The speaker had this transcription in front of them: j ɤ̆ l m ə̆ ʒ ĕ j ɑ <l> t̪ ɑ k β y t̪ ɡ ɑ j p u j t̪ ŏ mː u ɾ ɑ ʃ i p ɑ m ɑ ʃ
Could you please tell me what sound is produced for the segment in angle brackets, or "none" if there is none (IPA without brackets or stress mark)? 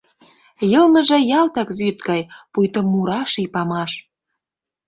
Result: l